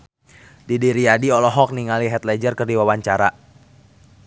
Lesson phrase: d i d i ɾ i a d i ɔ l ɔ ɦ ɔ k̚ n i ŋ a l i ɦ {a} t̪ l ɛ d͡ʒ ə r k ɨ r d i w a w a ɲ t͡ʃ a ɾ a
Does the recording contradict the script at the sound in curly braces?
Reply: yes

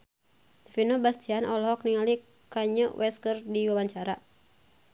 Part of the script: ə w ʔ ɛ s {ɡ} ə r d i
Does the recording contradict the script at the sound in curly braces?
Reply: yes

